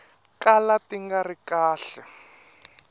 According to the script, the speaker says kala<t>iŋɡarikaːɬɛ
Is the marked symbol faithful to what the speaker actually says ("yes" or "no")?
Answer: yes